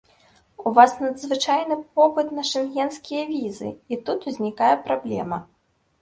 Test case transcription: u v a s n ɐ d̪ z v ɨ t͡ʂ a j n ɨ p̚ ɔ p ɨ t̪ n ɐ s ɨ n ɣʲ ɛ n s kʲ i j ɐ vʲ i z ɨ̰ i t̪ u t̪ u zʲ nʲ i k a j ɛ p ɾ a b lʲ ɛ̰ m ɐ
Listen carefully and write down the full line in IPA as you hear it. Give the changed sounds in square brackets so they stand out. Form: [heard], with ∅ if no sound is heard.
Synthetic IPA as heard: u v a s n ɐ d̪ z v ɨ t͡ʂ a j n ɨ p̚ ɔ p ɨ t̪ n ɐ [ʂ] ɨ n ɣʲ ɛ n s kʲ i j ɐ vʲ i z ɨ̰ i t̪ u t̪ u zʲ nʲ i k a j ɛ p ɾ a b lʲ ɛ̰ m ɐ

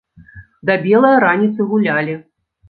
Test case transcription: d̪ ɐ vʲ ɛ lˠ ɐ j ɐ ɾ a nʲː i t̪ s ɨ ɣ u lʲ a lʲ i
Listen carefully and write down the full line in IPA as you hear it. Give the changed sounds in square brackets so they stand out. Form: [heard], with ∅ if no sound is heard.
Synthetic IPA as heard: d̪ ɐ [bʲ] ɛ lˠ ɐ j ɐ ɾ a [nʲ] i t̪ s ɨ ɣ u lʲ a lʲ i

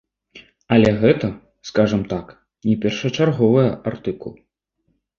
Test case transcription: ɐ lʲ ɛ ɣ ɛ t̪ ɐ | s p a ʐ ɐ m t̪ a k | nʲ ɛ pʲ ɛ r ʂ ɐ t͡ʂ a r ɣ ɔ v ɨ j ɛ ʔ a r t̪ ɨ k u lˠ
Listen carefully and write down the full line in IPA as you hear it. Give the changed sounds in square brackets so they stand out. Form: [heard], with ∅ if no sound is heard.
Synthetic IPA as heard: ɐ lʲ ɛ ɣ ɛ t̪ ɐ | s [k] a ʐ ɐ m t̪ a k | nʲ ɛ pʲ ɛ r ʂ ɐ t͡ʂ a r ɣ ɔ v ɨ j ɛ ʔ a r t̪ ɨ k u lˠ

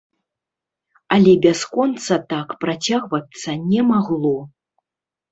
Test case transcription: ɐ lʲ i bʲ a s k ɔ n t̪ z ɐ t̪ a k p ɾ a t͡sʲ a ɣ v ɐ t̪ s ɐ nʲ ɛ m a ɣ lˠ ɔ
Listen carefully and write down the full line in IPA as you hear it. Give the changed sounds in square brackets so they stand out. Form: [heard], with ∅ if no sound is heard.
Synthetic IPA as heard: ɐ lʲ [ɛ] bʲ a s k ɔ n t̪ [s] ɐ t̪ a k p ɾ a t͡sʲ a ɣ v ɐ t̪ s ɐ nʲ ɛ m a ɣ lˠ ɔ

